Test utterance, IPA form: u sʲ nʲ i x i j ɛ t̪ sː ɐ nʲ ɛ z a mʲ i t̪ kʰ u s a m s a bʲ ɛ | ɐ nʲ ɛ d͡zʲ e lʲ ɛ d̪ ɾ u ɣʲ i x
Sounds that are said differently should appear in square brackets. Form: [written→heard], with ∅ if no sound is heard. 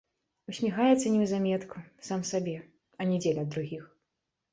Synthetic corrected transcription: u sʲ [nʲ→mʲ] i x [i→a] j ɛ t̪ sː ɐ nʲ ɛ z a mʲ [i→ɛ] t̪ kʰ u s a m s a bʲ ɛ | ɐ nʲ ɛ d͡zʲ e lʲ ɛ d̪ ɾ u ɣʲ i x